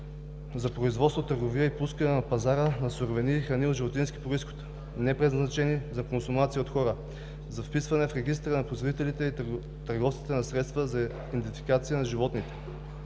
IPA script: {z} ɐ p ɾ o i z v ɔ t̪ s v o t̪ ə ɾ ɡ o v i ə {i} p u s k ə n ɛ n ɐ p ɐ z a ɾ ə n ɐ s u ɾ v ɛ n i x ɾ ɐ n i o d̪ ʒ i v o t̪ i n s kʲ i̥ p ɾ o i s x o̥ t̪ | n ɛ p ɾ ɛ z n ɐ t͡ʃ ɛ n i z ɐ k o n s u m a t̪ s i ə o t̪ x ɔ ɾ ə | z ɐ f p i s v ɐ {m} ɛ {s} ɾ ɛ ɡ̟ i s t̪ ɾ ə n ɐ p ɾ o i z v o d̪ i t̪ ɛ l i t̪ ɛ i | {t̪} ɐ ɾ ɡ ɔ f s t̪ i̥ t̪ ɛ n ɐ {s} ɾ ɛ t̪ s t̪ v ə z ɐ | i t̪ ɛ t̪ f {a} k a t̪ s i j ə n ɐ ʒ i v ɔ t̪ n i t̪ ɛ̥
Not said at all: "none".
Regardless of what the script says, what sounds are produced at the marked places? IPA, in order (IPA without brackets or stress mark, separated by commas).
z, i, n, f, t̪, s, i